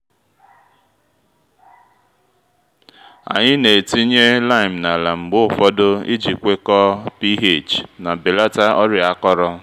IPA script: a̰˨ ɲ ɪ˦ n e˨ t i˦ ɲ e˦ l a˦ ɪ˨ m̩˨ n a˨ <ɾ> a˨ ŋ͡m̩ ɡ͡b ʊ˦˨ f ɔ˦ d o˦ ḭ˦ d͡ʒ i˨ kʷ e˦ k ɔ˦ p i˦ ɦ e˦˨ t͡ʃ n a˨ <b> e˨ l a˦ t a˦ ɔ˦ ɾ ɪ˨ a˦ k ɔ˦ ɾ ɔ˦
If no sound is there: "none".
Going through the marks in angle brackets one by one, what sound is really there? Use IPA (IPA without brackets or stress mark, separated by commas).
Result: l, b